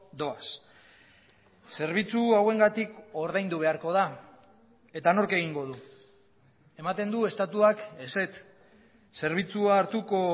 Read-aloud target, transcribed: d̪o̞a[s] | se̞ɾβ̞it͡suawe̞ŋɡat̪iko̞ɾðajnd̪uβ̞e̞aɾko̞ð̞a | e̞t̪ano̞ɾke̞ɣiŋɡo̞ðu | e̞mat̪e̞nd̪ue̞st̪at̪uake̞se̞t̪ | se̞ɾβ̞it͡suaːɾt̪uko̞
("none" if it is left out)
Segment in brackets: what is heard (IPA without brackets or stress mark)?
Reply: s